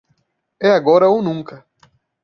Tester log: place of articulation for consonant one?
velar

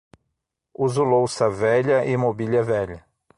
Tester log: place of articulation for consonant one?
alveolar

